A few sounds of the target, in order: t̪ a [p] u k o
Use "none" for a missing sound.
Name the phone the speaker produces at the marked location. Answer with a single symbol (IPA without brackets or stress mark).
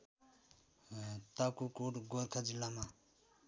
k